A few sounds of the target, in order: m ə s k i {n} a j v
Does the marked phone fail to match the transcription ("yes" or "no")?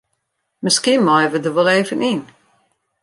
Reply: yes